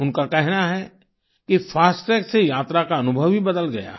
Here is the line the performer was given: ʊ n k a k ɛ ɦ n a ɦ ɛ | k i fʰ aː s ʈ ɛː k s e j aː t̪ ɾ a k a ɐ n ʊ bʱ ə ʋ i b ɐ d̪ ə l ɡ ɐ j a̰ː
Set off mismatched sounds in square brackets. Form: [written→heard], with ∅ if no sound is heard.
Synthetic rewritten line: ʊ n k a k ɛ ɦ n a ɦ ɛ | k i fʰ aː s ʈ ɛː k s e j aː t̪ ɾ a k a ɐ n ʊ bʱ ə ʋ i b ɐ d̪ ə l ɡ ɐ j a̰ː